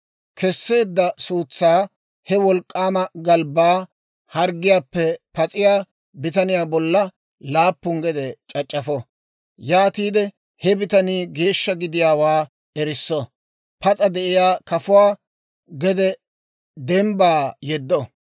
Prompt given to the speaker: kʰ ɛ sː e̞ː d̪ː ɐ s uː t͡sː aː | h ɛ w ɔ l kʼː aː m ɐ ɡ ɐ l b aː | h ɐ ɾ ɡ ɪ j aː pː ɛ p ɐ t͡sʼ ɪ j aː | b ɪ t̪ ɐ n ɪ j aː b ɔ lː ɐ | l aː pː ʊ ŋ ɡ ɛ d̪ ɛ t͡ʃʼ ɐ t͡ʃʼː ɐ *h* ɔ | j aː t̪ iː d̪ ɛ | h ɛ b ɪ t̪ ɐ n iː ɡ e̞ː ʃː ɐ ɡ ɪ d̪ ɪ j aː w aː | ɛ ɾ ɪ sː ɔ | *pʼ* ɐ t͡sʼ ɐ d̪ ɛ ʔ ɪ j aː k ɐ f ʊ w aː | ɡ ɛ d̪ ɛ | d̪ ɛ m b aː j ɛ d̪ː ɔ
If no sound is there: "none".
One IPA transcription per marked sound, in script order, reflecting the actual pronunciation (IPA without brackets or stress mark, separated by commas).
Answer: f, p